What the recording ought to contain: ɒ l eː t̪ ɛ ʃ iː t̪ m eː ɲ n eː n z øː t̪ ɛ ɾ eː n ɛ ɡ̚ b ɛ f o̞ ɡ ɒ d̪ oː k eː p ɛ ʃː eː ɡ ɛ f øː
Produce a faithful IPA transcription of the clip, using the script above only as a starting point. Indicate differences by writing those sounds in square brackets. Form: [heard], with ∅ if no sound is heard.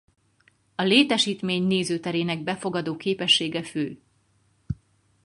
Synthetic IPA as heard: ɒ l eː t̪ ɛ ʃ iː t̪ m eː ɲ n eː [∅] z øː t̪ ɛ ɾ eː n ɛ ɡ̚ b ɛ f o̞ ɡ ɒ d̪ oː k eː p ɛ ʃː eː ɡ ɛ f øː